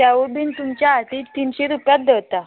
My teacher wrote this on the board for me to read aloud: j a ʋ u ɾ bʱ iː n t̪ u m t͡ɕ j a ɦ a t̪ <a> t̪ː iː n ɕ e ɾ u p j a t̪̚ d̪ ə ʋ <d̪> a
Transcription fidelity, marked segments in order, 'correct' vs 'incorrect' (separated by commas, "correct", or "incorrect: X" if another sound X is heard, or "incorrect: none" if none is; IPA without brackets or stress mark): incorrect: i, incorrect: t̪